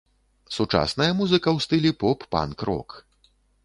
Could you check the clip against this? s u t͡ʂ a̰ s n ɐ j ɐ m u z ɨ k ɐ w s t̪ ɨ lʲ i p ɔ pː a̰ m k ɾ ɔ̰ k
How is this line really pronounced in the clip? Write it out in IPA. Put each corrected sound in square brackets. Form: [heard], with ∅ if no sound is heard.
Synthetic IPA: s u t͡ʂ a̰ s n ɐ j ɐ m u z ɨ k ɐ w s t̪ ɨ lʲ i p ɔ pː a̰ [n] k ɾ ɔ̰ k